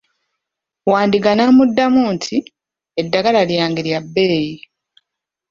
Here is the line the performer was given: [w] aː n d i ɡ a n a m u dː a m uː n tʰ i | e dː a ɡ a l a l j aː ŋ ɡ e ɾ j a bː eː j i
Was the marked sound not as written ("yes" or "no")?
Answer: no